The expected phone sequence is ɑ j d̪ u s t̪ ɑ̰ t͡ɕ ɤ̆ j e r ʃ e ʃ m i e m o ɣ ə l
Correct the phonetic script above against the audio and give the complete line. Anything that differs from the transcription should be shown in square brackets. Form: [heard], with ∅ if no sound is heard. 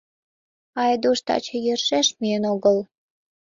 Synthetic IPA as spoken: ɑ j d̪ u [ʃ] t̪ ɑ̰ t͡ɕ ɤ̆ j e r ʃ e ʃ m i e [n] o ɣ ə l